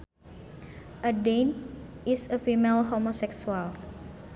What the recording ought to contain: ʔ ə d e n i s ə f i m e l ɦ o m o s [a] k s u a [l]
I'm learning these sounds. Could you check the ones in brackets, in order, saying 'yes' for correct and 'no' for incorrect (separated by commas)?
no, yes